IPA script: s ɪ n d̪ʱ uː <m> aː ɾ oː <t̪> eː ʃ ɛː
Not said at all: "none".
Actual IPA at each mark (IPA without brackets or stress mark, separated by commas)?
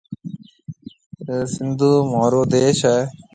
m, d̪